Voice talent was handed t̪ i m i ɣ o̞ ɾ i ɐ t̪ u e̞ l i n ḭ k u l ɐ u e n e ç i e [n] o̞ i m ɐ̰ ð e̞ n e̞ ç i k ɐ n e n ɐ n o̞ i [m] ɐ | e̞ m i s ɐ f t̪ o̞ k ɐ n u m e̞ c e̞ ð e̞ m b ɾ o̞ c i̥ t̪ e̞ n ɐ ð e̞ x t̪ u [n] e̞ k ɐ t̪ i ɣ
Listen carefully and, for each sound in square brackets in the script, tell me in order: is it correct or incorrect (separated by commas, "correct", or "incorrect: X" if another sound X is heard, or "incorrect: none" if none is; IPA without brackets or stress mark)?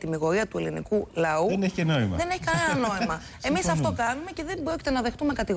correct, correct, incorrect: m